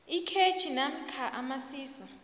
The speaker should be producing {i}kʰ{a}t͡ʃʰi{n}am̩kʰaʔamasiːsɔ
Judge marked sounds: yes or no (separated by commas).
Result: yes, no, yes